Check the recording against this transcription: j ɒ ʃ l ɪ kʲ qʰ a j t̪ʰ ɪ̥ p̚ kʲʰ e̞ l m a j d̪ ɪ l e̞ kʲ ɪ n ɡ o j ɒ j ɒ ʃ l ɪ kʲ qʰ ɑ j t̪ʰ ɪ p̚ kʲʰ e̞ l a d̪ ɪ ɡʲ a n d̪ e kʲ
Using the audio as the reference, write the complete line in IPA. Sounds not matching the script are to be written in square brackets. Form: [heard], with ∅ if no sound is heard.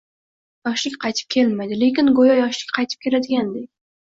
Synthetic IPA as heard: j ɒ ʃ l ɪ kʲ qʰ [ɑ] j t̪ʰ ɪ̥ p̚ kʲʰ e̞ l m a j d̪ ɪ l e̞ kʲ ɪ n ɡ o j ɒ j ɒ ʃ l ɪ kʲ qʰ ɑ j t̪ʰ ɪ p̚ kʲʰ e̞ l a d̪ ɪ ɡʲ a n d̪ e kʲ